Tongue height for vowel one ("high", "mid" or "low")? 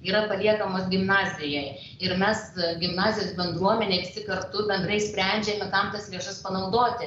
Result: high